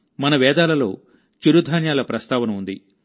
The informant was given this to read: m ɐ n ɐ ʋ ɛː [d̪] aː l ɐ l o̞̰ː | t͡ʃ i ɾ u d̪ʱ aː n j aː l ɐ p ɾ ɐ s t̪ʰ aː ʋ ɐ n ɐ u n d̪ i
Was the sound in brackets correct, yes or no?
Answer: yes